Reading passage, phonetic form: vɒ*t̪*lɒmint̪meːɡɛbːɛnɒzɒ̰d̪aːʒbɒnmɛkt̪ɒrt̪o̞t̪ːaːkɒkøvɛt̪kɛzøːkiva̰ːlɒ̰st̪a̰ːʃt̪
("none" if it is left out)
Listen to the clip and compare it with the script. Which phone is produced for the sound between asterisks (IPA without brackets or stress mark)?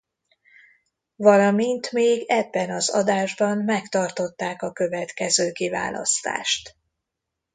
none